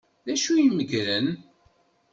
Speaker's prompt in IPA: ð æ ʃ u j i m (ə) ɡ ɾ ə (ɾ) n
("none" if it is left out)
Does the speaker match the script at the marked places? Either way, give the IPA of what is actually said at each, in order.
ə, none

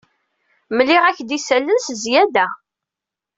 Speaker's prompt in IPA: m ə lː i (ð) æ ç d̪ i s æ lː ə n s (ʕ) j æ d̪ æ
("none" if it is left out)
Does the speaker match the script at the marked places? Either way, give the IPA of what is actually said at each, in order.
ʁ, z

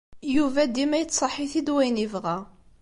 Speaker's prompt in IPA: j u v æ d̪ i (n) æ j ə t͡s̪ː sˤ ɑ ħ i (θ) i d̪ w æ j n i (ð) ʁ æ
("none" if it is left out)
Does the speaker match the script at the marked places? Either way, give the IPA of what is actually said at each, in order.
m, θ, v

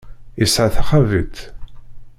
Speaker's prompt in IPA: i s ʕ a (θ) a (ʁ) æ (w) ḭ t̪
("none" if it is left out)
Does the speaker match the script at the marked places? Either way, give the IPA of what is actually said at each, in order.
θ, χ, v

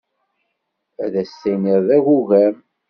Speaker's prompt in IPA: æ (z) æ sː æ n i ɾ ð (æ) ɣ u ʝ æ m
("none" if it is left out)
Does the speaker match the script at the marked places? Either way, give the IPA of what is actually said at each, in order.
ð, æ

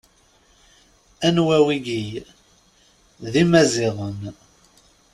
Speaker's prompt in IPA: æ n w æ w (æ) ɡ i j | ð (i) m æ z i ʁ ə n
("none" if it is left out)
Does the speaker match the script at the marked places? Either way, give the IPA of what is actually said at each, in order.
i, i

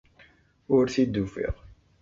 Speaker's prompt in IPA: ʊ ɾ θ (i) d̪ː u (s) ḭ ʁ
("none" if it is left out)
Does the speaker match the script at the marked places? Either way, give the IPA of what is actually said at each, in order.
i, f

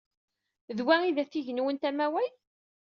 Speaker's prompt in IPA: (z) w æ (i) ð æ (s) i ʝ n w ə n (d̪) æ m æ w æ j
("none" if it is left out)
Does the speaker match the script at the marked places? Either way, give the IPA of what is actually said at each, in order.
ð, i, θ, t̪

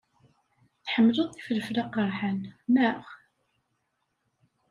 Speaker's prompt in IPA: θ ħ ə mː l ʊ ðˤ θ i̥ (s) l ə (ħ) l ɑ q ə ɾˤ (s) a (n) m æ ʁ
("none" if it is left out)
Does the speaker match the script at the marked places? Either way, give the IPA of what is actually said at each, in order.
f, f, ħ, n

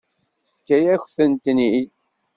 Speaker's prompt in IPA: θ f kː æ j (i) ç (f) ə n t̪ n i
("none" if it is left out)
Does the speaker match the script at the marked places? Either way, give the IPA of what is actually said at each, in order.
æ, θ

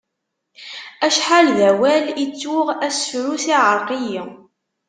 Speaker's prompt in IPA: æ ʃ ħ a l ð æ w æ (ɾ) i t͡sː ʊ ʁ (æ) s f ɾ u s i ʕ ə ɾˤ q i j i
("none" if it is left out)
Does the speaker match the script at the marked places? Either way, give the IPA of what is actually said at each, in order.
l, æ

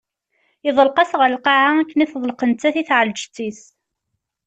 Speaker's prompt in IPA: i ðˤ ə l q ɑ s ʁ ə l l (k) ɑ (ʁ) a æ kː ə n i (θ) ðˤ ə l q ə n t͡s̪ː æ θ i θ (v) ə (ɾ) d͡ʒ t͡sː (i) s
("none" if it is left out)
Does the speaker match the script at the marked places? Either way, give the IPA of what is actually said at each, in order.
q, ʕ, θ, ʕ, l, i

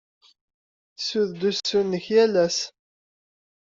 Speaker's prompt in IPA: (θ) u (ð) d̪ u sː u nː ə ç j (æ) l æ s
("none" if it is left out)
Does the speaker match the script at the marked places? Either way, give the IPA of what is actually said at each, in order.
s, ð, æ

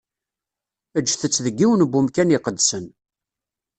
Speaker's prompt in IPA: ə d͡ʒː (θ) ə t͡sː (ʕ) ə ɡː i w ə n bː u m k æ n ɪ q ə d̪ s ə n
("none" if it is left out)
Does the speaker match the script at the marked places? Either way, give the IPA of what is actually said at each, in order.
θ, ð

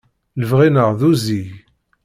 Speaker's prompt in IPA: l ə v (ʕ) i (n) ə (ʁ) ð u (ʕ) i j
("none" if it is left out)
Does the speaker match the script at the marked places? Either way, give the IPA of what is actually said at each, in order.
ʁ, n, ʁ, z

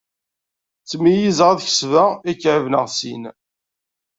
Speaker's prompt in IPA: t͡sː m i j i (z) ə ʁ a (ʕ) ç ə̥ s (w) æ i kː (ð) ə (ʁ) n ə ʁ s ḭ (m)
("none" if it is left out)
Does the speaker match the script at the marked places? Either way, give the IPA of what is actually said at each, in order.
z, ð, v, ʕ, v, n

